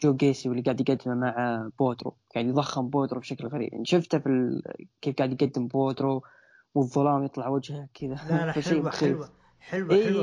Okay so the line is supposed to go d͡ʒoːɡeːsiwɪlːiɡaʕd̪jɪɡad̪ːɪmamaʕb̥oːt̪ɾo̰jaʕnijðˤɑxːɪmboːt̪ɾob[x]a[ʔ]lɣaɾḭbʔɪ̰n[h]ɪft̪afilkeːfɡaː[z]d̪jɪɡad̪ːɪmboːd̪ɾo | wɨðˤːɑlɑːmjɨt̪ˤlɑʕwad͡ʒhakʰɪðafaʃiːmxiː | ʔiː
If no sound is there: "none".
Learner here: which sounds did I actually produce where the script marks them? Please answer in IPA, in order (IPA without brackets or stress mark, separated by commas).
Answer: ʃ, k, ʃ, ʕ